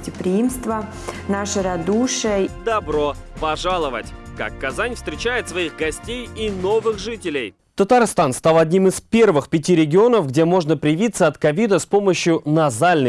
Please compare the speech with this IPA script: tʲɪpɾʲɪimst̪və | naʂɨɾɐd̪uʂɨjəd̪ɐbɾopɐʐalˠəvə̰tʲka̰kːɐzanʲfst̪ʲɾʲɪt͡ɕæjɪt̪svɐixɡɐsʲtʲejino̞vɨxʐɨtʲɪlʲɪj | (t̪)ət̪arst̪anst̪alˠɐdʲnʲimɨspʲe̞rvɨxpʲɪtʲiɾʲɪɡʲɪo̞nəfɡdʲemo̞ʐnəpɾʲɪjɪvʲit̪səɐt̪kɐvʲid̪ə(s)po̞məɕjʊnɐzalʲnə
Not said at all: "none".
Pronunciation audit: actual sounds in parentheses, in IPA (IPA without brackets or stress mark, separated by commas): t̪, s